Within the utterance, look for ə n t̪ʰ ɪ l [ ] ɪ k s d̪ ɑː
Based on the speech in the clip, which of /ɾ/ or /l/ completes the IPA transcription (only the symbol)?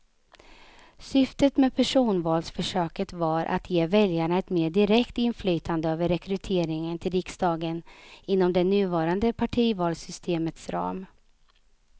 ɾ